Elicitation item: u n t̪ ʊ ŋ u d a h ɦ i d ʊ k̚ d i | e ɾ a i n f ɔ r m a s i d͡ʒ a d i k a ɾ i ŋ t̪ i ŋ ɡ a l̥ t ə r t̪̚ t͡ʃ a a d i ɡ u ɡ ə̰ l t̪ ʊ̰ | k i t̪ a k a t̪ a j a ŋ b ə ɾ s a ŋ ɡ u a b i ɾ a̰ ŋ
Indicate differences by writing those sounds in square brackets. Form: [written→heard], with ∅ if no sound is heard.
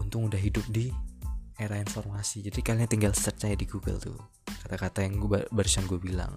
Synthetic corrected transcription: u n t̪ ʊ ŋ u d a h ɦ i d ʊ [k̚→p̚] d i | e ɾ a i n f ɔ r m a s i d͡ʒ a d i k a [ɾ→l] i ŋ t̪ i ŋ ɡ a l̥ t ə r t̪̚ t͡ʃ a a d i ɡ u ɡ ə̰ l t̪ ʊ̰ | k [i→a] t̪ a k a t̪ a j a ŋ b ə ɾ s a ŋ ɡ u a b i [ɾ→l] a̰ ŋ